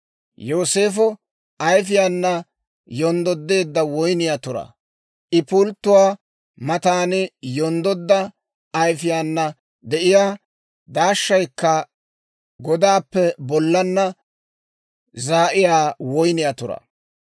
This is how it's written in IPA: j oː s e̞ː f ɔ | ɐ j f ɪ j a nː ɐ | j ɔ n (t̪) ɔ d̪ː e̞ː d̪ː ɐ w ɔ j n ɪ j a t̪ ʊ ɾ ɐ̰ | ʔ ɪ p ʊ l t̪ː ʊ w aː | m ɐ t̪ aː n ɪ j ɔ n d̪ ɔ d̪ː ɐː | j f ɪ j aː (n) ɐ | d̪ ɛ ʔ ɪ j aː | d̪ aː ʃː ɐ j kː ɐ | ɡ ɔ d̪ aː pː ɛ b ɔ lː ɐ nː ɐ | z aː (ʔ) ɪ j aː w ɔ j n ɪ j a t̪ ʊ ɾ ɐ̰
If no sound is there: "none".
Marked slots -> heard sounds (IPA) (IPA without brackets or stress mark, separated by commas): d̪, nː, ʔ